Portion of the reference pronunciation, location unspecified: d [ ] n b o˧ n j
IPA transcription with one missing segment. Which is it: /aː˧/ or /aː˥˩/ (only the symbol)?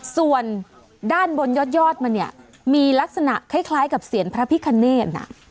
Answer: aː˥˩